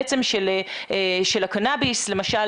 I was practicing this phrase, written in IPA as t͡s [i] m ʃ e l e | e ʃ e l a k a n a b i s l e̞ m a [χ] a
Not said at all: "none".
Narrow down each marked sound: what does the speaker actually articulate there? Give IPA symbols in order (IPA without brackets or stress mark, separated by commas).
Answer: e, ʃ